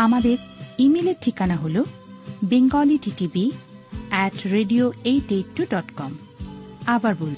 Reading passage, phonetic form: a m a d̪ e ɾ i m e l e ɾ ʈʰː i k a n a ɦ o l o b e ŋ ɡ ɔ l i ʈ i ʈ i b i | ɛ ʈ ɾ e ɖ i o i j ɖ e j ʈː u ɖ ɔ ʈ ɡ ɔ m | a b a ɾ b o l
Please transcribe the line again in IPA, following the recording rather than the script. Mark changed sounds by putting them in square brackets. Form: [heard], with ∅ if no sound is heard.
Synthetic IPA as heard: a m a d̪ e ɾ i m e l e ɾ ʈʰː i k a n a ɦ o l o b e ŋ ɡ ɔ l i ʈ i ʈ i b i | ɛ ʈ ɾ e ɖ i o [e] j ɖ e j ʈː u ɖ ɔ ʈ [k] ɔ m | a b a ɾ b o l